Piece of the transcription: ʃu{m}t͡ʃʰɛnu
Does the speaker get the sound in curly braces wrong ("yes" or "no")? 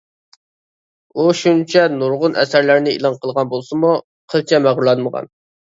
yes